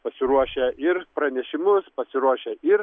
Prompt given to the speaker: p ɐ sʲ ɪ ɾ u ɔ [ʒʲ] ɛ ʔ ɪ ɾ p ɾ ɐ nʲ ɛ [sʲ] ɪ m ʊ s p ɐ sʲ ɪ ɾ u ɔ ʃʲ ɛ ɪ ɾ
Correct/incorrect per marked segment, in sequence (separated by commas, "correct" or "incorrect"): incorrect, incorrect